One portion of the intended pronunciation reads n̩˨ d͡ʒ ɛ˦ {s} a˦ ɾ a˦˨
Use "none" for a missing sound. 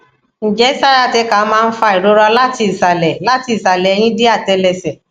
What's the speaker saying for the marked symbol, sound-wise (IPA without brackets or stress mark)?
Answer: s